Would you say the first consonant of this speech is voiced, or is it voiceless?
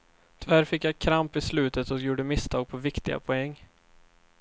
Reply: voiceless